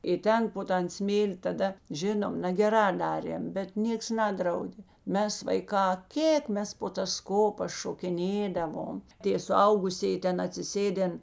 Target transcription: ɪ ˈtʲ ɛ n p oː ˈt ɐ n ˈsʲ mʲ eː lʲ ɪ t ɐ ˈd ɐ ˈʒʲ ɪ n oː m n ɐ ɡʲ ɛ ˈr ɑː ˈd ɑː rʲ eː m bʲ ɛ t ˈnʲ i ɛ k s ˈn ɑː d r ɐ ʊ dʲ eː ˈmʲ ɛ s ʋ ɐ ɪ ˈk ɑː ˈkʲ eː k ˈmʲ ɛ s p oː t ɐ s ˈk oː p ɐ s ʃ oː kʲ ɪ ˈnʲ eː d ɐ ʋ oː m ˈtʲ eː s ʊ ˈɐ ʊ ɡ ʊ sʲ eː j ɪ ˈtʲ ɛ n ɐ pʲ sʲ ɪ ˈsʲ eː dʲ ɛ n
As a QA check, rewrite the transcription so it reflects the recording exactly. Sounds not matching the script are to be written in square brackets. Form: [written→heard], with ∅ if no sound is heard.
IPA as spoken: ɪ ˈtʲ ɛ n p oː ˈt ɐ n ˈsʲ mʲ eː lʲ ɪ t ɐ ˈd ɐ ˈʒʲ ɪ n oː m n ɐ ɡʲ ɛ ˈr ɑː ˈd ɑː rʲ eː m bʲ ɛ t ˈnʲ i ɛ k s ˈn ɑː d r ɐ ʊ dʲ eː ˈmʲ ɛ s ʋ ɐ ɪ ˈk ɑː ˈkʲ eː k ˈmʲ ɛ s p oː t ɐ s ˈk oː p ɐ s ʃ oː kʲ ɪ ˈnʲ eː d ɐ ʋ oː m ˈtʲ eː s ʊ ˈɐ ʊ ɡ ʊ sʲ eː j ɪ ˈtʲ ɛ n ɐ [pʲ→tʲ] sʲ ɪ ˈsʲ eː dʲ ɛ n